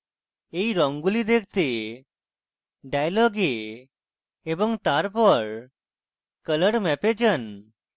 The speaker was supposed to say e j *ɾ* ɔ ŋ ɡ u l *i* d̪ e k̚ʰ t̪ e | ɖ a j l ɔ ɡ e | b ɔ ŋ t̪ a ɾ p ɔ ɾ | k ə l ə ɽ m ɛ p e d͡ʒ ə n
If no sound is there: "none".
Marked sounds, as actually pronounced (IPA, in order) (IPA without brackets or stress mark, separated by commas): ɾ, i